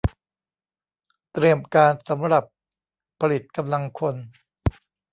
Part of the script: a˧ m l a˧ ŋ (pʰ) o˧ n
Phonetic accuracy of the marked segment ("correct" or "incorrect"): incorrect